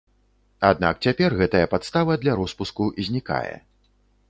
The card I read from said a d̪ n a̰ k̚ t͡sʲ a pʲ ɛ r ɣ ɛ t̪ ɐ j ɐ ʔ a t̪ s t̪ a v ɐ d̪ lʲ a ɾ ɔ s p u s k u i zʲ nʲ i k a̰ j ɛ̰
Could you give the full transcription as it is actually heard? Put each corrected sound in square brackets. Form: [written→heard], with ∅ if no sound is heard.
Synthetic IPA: a d̪ n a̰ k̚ t͡sʲ a pʲ ɛ r ɣ ɛ t̪ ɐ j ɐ [ʔ→p] a t̪ s t̪ a v ɐ d̪ lʲ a ɾ ɔ s p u s k u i zʲ nʲ i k a̰ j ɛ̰